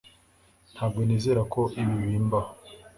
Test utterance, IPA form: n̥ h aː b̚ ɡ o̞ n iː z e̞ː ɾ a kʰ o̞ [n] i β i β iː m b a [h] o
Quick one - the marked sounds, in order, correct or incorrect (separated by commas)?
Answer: incorrect, correct